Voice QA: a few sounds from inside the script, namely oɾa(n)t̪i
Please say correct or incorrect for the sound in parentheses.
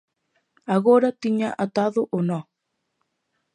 incorrect